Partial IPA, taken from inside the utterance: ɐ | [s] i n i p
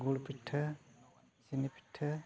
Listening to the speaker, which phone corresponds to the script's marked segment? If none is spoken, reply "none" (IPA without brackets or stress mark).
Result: s